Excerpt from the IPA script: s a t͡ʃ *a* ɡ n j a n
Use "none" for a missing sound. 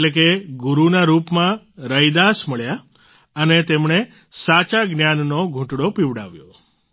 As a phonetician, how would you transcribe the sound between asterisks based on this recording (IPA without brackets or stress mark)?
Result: a